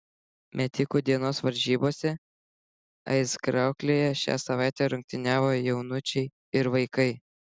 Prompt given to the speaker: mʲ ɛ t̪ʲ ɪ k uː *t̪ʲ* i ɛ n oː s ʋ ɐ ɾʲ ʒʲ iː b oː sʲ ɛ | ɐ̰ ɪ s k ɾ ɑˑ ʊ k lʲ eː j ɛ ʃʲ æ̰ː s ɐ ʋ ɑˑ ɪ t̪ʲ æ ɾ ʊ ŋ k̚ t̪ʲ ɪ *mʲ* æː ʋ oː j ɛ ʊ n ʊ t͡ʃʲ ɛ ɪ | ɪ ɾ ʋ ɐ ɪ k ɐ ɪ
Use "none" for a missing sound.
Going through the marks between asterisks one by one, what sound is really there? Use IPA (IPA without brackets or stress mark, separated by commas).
d̪ʲ, nʲ